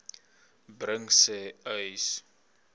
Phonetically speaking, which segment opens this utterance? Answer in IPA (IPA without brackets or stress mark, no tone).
b